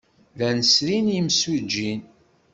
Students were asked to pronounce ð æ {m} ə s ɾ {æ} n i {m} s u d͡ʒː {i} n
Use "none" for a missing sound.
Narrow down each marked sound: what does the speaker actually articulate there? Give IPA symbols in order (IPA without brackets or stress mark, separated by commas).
n, i, m, i